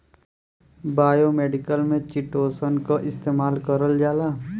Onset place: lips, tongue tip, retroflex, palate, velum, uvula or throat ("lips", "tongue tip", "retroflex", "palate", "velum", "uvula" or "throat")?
lips